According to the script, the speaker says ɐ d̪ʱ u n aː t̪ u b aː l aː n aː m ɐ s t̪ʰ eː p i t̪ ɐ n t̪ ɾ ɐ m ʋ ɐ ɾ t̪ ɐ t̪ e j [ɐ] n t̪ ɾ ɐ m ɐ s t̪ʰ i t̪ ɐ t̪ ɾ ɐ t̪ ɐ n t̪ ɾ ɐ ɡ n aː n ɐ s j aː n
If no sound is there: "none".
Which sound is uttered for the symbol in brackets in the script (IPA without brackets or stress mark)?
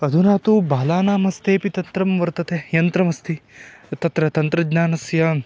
ɐ